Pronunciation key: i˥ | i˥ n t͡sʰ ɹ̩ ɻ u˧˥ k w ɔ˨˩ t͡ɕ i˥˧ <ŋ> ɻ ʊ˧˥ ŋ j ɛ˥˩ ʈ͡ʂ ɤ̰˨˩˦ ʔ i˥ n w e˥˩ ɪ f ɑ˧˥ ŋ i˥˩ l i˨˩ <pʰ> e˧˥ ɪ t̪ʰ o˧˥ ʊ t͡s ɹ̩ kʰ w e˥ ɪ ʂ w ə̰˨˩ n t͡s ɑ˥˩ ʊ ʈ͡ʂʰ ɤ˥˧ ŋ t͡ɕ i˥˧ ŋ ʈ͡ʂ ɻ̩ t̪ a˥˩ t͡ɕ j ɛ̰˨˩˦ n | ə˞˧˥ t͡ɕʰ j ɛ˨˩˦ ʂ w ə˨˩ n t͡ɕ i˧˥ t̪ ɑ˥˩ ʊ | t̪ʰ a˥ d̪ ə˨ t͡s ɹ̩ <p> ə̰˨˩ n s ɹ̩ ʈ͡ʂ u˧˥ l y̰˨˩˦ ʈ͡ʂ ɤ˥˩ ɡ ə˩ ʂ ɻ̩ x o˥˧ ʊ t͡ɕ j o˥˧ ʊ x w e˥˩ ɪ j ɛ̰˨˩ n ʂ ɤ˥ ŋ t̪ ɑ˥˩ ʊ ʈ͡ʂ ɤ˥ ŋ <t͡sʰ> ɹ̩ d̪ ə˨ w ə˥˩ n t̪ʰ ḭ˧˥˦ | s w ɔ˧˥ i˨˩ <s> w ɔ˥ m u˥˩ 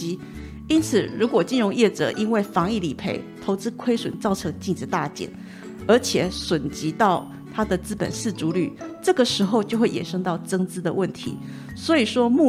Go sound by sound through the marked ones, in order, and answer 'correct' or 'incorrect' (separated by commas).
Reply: incorrect, correct, correct, incorrect, incorrect